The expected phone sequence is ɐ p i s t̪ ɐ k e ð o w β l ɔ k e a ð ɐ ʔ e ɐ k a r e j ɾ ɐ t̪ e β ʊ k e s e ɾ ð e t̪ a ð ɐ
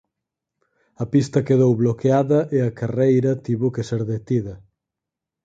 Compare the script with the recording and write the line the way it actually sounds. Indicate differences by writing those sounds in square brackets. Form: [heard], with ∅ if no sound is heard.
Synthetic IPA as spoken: ɐ p i s t̪ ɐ k e ð o w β l [o] k e a ð ɐ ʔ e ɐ k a r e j ɾ ɐ t̪ [i] β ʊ k e s e ɾ ð e t̪ [i] ð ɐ